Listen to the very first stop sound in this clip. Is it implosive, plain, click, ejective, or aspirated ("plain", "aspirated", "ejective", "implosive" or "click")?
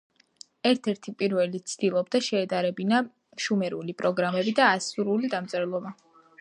aspirated